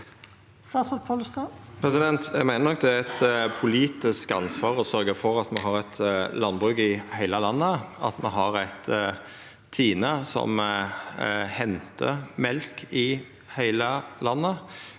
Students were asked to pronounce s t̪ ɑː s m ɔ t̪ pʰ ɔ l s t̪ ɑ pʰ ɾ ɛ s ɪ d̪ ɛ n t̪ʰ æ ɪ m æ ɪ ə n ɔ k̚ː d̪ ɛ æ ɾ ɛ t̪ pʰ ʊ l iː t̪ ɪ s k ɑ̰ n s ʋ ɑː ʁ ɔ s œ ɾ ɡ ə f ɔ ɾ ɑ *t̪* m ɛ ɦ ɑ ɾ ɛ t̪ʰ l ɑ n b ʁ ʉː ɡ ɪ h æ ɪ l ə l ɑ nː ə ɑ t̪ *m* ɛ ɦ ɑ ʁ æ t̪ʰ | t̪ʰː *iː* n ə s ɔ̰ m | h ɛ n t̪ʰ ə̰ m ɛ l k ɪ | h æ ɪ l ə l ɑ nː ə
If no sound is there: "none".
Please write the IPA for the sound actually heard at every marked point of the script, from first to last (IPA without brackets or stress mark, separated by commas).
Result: t̪, m, iː